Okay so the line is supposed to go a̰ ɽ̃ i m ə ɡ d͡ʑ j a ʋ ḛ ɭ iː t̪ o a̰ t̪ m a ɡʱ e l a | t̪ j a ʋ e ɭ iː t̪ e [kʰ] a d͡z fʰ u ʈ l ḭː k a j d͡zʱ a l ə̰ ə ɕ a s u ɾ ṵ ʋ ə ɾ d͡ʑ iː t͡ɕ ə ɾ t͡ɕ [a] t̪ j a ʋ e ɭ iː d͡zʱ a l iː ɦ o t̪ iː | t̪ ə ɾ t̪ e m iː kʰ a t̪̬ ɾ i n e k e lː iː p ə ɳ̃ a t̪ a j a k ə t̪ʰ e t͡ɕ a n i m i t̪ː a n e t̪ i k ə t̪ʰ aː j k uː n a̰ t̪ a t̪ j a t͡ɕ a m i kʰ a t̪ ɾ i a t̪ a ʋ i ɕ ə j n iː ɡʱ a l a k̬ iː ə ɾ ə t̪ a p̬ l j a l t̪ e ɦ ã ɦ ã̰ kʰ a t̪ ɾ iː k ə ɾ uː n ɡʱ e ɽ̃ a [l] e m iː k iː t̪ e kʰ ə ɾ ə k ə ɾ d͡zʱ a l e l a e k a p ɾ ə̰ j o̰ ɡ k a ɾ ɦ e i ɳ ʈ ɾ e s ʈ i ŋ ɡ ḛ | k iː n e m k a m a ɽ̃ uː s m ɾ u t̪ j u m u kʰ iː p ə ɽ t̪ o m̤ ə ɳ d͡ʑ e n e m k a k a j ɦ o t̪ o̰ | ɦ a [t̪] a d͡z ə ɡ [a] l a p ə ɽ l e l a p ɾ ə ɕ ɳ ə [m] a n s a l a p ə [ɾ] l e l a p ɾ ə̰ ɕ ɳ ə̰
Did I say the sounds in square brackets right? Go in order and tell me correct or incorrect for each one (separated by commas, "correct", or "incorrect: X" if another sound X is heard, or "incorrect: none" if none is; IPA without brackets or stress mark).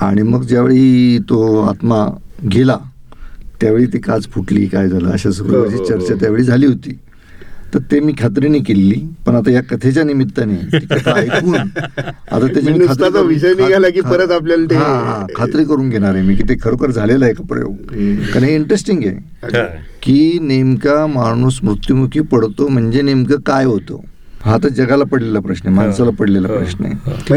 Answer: incorrect: k, correct, incorrect: ɾ, correct, correct, correct, incorrect: ɽ